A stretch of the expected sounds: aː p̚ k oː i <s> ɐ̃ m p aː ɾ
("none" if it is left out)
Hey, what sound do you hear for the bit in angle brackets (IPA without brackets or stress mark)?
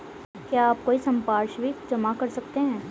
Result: s